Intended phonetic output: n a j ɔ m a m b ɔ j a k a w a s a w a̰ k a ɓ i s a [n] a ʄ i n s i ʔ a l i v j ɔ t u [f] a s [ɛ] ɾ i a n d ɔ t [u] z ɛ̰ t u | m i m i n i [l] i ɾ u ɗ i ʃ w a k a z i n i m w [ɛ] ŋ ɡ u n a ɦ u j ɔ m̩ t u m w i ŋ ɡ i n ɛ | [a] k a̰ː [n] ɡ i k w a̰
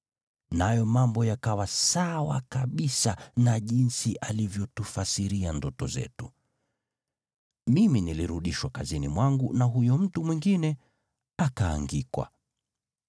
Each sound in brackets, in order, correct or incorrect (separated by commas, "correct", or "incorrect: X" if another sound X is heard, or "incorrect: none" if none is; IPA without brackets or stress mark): correct, correct, incorrect: i, incorrect: ɔ, correct, incorrect: a, correct, incorrect: ŋ